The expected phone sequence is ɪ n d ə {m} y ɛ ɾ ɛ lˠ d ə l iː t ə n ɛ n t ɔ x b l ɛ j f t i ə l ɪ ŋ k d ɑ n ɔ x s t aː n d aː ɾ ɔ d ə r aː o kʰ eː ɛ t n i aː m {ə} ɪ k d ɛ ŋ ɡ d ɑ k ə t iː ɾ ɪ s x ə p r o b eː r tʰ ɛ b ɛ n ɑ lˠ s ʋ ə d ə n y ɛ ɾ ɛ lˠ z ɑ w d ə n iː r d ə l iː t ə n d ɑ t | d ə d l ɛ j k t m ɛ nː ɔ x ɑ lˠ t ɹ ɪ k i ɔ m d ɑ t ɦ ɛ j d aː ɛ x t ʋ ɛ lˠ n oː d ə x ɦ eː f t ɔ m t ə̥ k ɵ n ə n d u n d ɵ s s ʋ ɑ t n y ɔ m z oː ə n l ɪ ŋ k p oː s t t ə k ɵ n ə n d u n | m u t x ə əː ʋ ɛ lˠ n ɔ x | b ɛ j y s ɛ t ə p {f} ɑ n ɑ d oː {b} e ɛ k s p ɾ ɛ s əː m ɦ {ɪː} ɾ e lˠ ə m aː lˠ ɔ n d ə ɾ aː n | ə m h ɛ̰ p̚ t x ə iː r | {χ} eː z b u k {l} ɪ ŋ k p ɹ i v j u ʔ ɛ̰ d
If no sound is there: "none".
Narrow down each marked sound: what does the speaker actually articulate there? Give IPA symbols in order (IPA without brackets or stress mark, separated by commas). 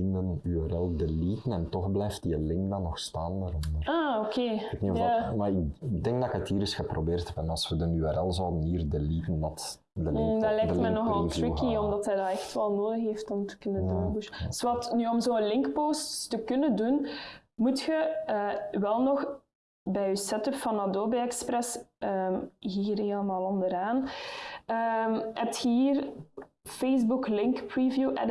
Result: n, a, f, b, iː, f, l